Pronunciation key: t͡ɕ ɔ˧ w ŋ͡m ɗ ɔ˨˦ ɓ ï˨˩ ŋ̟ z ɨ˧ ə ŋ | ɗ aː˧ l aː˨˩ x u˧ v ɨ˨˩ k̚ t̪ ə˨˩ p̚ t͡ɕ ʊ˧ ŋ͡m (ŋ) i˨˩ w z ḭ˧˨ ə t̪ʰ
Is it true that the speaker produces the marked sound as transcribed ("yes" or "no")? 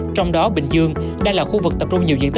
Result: no